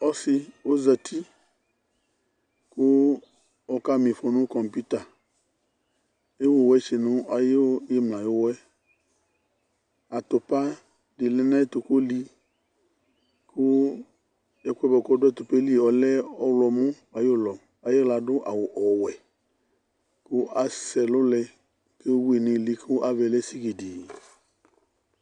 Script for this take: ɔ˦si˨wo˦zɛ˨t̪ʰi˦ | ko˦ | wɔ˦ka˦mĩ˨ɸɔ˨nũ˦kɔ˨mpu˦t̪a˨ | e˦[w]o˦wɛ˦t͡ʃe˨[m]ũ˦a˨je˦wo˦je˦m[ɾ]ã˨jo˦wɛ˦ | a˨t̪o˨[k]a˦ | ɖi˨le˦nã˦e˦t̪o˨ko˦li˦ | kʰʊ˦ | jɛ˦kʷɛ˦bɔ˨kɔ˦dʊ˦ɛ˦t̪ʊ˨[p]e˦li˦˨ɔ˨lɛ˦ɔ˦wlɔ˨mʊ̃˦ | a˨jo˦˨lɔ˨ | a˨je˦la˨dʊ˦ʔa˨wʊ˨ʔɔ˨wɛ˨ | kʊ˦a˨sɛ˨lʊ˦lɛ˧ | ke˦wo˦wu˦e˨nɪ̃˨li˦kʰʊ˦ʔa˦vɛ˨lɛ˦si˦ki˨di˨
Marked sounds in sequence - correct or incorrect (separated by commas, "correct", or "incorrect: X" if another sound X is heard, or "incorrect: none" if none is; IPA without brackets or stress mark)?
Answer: correct, incorrect: n, incorrect: l, incorrect: p, correct